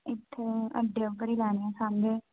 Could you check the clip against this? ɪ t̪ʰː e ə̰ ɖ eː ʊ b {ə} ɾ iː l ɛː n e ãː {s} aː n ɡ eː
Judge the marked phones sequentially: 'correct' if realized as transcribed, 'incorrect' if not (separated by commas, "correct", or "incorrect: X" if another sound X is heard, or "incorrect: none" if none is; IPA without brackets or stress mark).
correct, correct